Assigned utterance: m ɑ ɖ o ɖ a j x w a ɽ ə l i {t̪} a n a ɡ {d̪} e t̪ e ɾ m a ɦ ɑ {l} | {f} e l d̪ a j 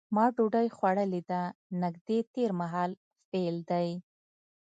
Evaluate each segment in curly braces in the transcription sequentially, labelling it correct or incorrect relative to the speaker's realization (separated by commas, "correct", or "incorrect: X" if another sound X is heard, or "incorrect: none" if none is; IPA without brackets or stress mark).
incorrect: d̪, correct, correct, correct